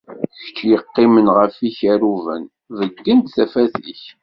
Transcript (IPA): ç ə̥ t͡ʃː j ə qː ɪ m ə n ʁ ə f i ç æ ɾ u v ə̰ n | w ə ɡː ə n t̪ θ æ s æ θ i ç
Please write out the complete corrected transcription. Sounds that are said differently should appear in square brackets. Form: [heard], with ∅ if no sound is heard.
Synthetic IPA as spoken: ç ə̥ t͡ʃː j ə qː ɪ m ə n ʁ ə f i ç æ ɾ u v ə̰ n | [v] ə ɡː ə n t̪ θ æ [f] æ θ i ç

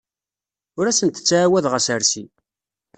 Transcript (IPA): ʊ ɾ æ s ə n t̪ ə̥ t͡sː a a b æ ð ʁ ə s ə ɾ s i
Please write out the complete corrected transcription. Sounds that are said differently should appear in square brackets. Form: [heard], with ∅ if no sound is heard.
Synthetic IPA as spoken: ʊ ɾ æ s ə n t̪ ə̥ t͡sː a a [w] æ ð ʁ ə s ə ɾ s i

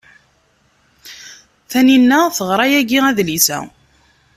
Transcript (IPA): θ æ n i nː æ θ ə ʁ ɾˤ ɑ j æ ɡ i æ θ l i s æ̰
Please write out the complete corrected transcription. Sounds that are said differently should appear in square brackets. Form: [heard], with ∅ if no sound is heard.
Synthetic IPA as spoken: θ æ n i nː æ θ ə ʁ ɾˤ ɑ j æ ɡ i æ [ð] l i s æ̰

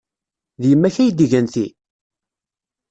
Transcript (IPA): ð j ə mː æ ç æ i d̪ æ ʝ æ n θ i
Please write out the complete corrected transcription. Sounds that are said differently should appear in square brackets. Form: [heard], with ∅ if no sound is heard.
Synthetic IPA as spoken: ð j ə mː æ ç æ [j] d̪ [i] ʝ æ n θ i

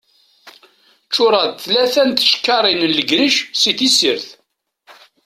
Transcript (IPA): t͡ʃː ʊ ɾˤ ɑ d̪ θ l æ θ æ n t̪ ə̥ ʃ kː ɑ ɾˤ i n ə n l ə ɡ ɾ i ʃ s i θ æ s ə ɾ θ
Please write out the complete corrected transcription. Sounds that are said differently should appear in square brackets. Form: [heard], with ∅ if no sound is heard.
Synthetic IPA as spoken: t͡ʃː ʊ ɾˤ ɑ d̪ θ l æ θ æ n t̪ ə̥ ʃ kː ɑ ɾˤ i n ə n l ə ɡ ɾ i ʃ s i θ [i] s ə ɾ θ

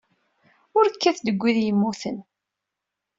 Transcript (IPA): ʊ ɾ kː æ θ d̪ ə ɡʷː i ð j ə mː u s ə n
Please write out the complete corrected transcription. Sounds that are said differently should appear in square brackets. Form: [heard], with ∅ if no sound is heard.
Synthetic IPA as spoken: ʊ ɾ kː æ θ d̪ ə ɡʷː i ð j ə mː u [θ] ə n

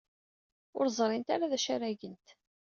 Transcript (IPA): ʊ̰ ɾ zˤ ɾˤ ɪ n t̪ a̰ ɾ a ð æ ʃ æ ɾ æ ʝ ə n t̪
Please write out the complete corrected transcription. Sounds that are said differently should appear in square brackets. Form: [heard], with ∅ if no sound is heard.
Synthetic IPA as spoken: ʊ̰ ɾ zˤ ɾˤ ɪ n t̪ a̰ ɾ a ð æ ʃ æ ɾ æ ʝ ə n t̪

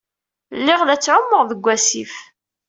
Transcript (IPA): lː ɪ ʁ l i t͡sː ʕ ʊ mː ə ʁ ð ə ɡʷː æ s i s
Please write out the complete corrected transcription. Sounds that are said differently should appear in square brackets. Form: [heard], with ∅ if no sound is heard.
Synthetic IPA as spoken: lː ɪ ʁ l [æ] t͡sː ʕ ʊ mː ə ʁ ð ə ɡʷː æ s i [f]

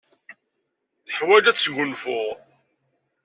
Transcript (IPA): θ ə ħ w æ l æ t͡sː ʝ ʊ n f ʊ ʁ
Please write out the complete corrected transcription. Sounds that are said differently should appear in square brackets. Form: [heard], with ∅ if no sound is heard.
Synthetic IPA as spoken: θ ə ħ w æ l æ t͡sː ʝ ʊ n f ʊ ʁ

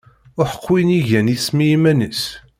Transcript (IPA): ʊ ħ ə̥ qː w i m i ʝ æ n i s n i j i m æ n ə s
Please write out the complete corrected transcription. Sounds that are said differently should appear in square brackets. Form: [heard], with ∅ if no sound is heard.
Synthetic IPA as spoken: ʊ ħ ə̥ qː w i [n] i ʝ æ n i s [m] i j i m æ n ə s

